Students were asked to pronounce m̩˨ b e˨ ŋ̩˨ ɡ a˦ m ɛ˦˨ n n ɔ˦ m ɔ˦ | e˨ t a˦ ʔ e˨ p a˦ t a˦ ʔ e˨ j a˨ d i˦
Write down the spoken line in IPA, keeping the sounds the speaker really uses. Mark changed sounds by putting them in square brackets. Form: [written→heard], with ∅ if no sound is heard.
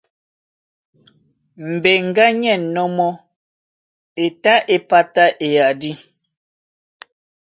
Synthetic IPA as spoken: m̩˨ b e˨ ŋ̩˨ ɡ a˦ [m→ɲ] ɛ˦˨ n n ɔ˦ m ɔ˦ | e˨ t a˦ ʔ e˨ p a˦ t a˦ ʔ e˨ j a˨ d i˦